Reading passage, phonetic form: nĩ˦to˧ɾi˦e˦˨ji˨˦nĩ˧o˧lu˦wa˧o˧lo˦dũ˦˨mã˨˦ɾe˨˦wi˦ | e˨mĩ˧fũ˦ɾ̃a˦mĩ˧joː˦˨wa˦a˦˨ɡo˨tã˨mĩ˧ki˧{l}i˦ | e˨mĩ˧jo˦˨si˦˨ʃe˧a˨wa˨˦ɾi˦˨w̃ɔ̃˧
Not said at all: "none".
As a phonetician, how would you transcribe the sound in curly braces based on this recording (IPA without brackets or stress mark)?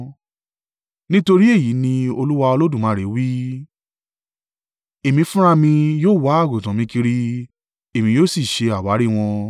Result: ɾ